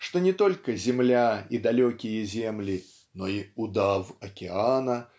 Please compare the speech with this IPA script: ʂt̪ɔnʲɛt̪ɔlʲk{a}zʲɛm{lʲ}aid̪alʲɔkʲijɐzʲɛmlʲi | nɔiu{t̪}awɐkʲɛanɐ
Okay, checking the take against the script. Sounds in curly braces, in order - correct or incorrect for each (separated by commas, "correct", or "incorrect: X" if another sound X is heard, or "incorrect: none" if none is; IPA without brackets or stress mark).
incorrect: ɐ, correct, incorrect: d̪